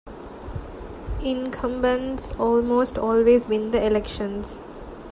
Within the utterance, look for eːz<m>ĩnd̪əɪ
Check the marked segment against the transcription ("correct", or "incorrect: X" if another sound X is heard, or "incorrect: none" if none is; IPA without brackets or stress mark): incorrect: b